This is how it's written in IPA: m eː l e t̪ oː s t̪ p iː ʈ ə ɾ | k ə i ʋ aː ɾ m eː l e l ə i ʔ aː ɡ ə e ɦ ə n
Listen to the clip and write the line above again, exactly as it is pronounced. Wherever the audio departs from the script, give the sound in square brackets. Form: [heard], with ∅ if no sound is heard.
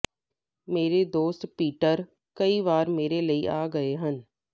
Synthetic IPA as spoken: m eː [ɾ] e [d̪] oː s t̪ p iː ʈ ə ɾ | k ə i ʋ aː ɾ m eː [ɾ] e l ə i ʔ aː ɡ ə e ɦ ə n